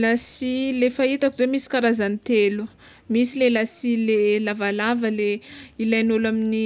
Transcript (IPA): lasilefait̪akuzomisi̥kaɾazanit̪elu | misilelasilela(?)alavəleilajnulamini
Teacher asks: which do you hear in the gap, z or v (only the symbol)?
v